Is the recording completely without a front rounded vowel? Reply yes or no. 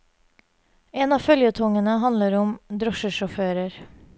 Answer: no